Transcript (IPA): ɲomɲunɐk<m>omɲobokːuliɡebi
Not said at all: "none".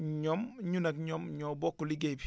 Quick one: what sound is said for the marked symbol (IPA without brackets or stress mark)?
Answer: ɲ